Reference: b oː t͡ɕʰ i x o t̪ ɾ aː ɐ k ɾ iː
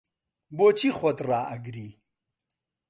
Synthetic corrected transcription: b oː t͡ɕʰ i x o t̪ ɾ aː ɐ ɡ ɾ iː